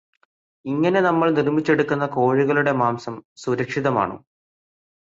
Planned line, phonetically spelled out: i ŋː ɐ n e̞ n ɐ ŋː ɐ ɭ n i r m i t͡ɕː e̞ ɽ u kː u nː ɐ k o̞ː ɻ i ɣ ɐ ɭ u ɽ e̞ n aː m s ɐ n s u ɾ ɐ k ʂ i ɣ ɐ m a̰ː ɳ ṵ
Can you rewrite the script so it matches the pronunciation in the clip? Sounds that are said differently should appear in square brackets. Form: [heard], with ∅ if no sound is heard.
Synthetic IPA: i ŋː ɐ n e̞ n ɐ [mː] ɐ ɭ n i r m i t͡ɕː e̞ ɽ u kː u nː ɐ k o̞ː ɻ i ɣ ɐ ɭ u ɽ e̞ [m] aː m s ɐ [m] s u ɾ ɐ k ʂ i [ð] ɐ m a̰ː ɳ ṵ